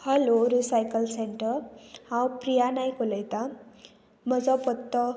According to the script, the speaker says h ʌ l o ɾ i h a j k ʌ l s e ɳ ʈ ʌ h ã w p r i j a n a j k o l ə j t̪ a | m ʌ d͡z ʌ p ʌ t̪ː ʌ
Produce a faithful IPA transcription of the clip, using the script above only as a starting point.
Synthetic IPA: h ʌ l o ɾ i s a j k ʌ l s e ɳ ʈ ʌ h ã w p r i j a n a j k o l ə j t̪ a | m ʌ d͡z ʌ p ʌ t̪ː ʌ